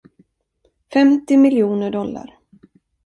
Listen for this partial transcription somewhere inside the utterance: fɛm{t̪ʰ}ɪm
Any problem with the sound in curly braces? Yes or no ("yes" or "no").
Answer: yes